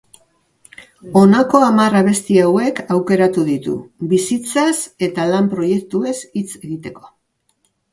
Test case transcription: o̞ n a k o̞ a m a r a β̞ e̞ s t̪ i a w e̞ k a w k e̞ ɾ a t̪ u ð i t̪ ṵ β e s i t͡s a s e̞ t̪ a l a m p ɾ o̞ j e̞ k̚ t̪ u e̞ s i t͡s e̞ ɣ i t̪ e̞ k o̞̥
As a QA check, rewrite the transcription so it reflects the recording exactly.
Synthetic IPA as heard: o̞ n a k o̞ a m a r a β̞ e̞ s t̪ i a w e̞ k a w k e̞ ɾ a t̪ u ð i t̪ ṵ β i s i t͡s a s e̞ t̪ a l a m p ɾ o̞ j e̞ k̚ t̪ u e̞ s i t͡s e̞ ɣ i t̪ e̞ k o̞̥